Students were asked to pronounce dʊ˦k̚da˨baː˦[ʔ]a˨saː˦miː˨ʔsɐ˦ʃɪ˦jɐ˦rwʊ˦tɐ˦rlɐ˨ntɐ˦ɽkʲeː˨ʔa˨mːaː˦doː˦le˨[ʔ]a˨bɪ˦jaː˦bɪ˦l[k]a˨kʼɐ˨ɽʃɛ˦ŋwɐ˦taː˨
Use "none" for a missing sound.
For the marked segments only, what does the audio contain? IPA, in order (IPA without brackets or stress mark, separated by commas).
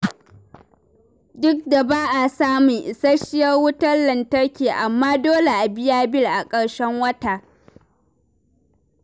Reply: ʔ, ʔ, ʔ